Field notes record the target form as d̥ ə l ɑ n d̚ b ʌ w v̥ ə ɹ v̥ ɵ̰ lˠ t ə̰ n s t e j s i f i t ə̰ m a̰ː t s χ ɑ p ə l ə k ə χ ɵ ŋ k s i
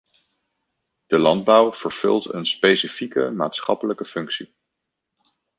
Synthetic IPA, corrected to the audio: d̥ ə l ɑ n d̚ b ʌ w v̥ ə ɹ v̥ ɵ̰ lˠ t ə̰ n s p e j s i f i k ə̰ m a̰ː t s χ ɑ p ə l ə k ə f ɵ ŋ k s i